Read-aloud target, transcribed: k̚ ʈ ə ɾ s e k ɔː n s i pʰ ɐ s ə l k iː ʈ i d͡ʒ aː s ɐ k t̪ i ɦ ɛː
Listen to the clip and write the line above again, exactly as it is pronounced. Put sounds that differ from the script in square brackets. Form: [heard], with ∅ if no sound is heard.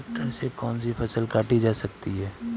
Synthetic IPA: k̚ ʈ ə ɾ s e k ɔː n s i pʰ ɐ s ə l k [aː] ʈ i d͡ʒ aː s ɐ k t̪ i ɦ ɛː

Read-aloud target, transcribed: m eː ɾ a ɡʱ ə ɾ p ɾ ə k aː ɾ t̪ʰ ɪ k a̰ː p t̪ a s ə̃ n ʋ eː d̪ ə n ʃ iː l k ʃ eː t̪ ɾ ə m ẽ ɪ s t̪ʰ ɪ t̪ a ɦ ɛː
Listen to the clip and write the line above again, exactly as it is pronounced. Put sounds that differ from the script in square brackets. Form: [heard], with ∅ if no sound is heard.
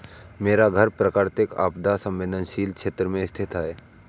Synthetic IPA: m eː ɾ a ɡʱ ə ɾ p ɾ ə k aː ɾ [t̪] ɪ k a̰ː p [d̪] a s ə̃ [m] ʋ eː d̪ ə n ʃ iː l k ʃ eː t̪ ɾ ə m ẽ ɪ s t̪ʰ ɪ t̪ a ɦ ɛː

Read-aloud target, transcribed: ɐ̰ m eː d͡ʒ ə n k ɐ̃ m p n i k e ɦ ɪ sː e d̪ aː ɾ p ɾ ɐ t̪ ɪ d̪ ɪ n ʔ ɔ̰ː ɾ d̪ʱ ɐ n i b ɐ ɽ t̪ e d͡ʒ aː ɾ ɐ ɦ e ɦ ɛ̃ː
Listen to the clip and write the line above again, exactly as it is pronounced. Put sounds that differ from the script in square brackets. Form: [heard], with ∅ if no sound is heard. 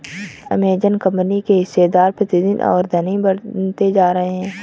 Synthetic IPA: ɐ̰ m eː d͡ʒ ə n k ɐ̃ m p n i k e ɦ ɪ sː e d̪ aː ɾ p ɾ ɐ t̪ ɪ d̪ ɪ n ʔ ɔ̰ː ɾ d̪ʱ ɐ n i b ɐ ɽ t̪ e d͡ʒ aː ɾ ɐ ɦ e ɦ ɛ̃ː

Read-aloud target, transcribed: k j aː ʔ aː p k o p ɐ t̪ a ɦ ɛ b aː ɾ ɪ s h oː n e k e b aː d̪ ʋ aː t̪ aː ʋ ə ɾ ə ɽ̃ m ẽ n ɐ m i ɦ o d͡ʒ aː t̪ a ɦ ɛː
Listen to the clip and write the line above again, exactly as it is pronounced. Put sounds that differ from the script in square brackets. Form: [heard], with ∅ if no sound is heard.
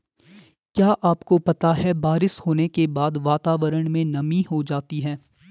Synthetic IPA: k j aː ʔ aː p k o p ɐ t̪ a ɦ ɛ b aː ɾ ɪ s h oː n e k e b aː d̪ ʋ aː t̪ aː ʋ ə ɾ ə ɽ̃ m ẽ n ɐ m i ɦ o d͡ʒ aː t̪ [i] ɦ ɛː

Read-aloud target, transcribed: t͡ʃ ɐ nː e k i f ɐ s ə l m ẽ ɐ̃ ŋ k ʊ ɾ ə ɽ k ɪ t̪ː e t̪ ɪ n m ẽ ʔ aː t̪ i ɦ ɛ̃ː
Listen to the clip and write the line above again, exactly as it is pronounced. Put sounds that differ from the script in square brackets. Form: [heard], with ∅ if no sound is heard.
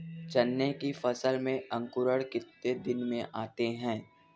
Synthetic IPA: t͡ʃ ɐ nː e k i f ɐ s ə l m ẽ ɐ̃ ŋ k ʊ ɾ ə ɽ k ɪ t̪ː e [d̪] ɪ n m ẽ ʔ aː t̪ [e] ɦ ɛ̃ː

